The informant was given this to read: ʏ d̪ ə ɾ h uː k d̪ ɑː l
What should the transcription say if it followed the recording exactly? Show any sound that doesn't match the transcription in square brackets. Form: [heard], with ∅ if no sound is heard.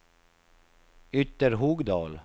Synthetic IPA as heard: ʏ [t̪] ə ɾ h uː [ɡ] d̪ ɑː l